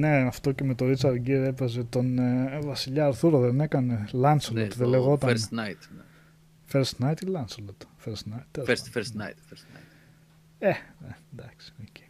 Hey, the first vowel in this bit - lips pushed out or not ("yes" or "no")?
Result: no